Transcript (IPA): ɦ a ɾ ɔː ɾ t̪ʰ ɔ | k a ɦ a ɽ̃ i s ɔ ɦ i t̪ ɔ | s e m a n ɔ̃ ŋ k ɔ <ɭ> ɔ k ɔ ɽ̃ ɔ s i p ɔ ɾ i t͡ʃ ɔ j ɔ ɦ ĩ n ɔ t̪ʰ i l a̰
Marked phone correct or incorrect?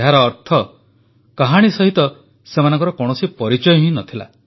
incorrect